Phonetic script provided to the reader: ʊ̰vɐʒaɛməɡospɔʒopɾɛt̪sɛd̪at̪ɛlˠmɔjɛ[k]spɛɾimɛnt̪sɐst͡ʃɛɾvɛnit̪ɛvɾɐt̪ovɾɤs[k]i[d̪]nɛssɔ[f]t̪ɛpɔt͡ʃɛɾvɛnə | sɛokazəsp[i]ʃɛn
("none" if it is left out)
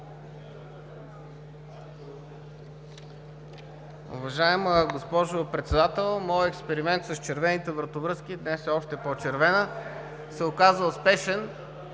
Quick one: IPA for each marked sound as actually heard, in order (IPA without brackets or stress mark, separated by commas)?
k, k, d̪, ʃ, ɛ